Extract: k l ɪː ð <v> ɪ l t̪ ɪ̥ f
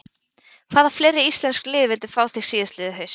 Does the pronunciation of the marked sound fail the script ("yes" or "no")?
no